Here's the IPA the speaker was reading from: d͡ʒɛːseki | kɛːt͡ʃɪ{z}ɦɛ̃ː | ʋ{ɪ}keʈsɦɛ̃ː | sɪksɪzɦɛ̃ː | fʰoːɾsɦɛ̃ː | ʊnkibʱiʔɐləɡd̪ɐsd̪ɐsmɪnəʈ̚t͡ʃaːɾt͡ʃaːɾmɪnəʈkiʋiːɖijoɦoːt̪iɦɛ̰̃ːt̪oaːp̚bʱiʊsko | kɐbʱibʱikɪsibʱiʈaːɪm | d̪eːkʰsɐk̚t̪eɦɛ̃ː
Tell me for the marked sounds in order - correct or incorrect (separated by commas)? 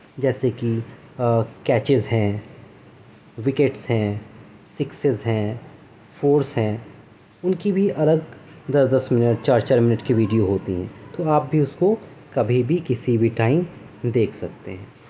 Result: correct, correct